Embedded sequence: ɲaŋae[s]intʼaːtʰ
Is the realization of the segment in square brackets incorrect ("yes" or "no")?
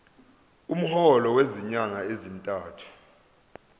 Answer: yes